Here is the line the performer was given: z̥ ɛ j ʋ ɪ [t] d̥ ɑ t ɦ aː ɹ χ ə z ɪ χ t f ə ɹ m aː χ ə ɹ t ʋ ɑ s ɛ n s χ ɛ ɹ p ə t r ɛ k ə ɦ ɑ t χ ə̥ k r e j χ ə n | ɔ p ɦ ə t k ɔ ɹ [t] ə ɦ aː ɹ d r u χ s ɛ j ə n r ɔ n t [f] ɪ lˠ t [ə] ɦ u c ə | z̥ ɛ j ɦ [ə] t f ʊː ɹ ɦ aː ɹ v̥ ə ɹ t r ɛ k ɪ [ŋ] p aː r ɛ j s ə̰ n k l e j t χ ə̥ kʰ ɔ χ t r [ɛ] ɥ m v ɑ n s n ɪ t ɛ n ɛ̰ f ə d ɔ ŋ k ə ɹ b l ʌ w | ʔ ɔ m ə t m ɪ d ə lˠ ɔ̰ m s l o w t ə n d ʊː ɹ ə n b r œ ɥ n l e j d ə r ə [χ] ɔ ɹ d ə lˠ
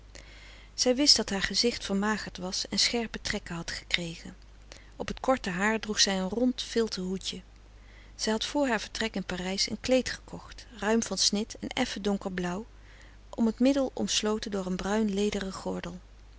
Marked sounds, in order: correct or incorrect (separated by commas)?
incorrect, correct, correct, correct, incorrect, incorrect, incorrect, correct